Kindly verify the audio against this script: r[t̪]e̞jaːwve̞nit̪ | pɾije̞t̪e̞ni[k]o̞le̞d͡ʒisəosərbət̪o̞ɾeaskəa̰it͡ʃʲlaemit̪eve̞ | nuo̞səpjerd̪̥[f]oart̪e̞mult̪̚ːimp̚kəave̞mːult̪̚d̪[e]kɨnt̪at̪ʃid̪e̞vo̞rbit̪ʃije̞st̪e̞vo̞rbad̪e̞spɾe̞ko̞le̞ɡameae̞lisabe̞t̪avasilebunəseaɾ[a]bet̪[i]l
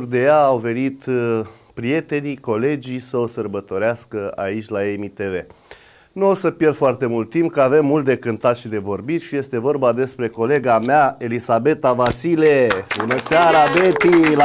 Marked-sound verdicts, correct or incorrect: incorrect, correct, correct, correct, correct, correct

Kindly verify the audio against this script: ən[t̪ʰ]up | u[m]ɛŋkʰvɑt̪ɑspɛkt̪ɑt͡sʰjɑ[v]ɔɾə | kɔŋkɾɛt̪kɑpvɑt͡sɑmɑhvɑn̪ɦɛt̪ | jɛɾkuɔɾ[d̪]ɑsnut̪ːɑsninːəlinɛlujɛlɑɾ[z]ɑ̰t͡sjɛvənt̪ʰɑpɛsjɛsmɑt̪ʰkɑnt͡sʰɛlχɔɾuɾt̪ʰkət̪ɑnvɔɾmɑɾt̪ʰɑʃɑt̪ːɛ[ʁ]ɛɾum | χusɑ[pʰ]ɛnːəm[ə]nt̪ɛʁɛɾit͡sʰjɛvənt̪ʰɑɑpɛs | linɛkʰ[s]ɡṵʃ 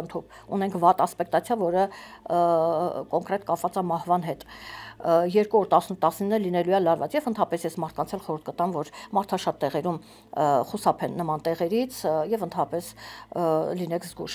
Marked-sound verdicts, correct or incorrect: correct, incorrect, correct, incorrect, incorrect, correct, correct, incorrect, incorrect

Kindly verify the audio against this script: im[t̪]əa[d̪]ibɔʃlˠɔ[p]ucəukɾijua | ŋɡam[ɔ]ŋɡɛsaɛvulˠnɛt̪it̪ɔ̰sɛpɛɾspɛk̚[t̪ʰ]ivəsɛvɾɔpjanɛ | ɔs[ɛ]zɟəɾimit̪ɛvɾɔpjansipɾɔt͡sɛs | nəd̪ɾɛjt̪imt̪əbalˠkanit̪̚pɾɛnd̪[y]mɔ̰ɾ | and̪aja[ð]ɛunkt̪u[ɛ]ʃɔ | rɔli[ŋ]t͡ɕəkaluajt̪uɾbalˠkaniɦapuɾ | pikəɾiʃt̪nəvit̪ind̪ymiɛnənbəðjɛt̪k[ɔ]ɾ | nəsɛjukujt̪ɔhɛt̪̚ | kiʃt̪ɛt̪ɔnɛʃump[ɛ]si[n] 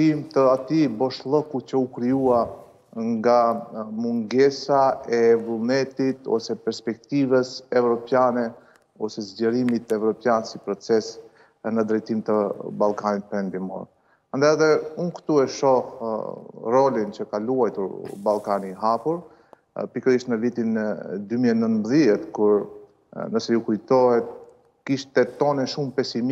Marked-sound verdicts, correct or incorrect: correct, incorrect, incorrect, incorrect, incorrect, correct, incorrect, correct, correct, incorrect, incorrect, correct, incorrect

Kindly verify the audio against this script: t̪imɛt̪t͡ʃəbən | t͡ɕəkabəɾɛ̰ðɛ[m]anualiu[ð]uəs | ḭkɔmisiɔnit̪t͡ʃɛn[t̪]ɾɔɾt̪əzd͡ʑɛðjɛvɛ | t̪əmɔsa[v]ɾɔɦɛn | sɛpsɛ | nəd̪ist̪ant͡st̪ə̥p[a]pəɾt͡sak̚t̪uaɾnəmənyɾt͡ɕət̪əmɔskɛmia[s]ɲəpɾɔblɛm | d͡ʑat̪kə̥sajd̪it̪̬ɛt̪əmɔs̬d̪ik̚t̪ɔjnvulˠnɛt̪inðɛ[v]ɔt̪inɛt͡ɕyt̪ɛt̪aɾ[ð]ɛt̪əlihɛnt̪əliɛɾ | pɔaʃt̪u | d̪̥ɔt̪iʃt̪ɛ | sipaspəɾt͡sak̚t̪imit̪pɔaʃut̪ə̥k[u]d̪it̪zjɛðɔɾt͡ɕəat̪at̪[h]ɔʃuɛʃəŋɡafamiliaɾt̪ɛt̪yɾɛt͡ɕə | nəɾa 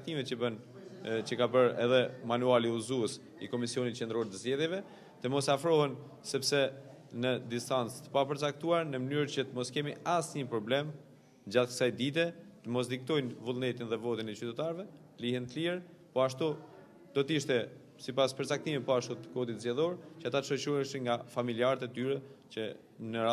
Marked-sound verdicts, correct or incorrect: correct, incorrect, incorrect, incorrect, correct, correct, correct, incorrect, incorrect, incorrect

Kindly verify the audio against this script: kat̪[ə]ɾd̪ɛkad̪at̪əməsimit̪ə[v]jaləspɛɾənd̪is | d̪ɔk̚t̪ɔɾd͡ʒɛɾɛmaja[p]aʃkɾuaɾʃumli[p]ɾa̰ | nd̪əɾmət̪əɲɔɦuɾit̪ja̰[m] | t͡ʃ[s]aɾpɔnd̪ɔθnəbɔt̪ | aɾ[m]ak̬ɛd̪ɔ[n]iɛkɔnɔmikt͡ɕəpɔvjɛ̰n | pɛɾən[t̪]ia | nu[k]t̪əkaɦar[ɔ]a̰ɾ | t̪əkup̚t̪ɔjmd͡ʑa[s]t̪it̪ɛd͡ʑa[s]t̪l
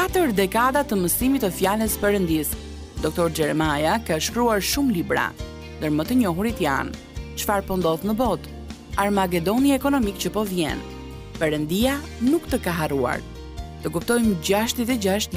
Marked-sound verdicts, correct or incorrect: correct, incorrect, incorrect, incorrect, incorrect, incorrect, correct, correct, incorrect, correct, incorrect, incorrect, incorrect

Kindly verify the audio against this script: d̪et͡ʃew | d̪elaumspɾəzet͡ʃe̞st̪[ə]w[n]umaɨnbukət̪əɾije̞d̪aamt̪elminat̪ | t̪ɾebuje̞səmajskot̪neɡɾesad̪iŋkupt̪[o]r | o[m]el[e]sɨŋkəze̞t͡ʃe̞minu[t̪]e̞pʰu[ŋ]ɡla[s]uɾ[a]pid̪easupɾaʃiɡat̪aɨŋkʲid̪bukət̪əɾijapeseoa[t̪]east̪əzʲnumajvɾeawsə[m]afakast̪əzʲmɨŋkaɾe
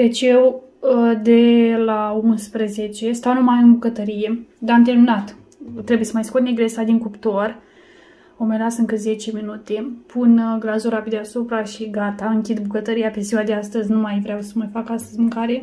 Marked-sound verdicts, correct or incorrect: incorrect, correct, correct, correct, incorrect, correct, incorrect, incorrect, correct, incorrect, correct

